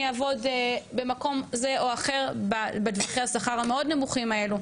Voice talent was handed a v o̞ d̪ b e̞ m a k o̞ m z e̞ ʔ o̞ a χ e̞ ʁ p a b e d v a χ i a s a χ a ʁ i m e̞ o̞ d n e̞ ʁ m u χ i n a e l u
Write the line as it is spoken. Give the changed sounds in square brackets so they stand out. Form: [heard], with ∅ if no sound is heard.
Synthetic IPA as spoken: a v o̞ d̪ b e̞ m a k o̞ m z e̞ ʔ o̞ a χ e̞ ʁ [b] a b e d v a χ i a s a χ a ʁ [a] m e̞ o̞ d n e̞ [∅] m u χ i [m] a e l u